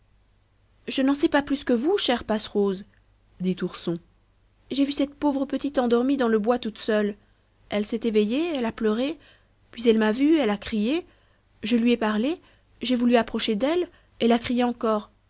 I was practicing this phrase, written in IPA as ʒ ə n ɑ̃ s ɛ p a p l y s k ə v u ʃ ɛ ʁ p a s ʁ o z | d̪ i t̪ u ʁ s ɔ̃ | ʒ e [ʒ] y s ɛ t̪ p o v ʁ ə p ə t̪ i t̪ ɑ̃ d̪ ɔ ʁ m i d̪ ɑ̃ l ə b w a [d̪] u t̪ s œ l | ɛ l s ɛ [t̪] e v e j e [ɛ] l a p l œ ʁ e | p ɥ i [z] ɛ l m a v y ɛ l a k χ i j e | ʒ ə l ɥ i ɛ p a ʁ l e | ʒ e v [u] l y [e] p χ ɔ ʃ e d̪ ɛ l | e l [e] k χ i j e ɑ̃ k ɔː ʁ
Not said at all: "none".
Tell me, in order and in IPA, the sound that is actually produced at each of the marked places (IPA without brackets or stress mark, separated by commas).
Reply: v, t̪, t̪, ɛ, z, u, a, a